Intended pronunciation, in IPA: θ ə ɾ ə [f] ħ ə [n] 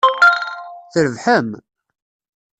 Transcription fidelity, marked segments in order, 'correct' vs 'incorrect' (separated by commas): incorrect, incorrect